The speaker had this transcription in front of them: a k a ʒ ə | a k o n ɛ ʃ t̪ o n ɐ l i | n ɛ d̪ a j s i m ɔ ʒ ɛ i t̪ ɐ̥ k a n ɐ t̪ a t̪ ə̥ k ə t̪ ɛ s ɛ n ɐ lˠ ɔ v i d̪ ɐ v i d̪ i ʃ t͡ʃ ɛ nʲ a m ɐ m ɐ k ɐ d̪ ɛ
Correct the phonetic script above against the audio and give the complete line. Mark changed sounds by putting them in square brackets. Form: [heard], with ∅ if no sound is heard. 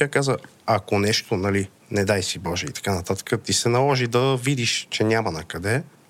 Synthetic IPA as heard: a k a [z] ə | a k o n ɛ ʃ t̪ o n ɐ l i | n ɛ d̪ a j s i [b] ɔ ʒ ɛ i t̪ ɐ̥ k a n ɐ t̪ a t̪ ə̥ k ə t̪ [i] s ɛ n ɐ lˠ ɔ [ʒ] i d̪ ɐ v i d̪ i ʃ t͡ʃ ɛ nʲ a m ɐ [n] ɐ k ɐ d̪ ɛ